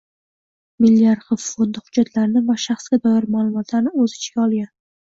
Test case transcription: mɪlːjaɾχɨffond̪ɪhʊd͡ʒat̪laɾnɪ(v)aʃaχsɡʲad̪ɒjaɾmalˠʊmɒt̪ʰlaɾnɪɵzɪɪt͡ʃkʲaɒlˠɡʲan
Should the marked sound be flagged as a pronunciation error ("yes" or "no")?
no